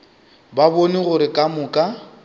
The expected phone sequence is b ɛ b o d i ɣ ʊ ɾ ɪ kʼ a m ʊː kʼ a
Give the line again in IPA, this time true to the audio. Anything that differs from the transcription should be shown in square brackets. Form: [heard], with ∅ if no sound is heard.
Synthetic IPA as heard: b [a] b o [n] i ɣ ʊ ɾ ɪ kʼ a m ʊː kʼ a